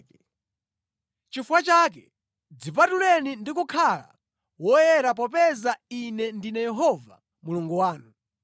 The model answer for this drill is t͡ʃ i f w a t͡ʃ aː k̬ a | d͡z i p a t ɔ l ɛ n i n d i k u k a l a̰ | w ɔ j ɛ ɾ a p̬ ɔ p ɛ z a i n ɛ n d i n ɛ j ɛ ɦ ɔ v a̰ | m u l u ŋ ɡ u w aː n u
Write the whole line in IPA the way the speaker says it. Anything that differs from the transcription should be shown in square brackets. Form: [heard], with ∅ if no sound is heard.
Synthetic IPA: t͡ʃ i f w a t͡ʃ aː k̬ [ɛ] | d͡z i p a t [u] l ɛ n i n d i k u [kʰ] a l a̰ | w ɔ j ɛ ɾ a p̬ ɔ p ɛ z a i n ɛ n d i n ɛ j ɛ ɦ ɔ v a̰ | m u l u ŋ ɡ u w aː n u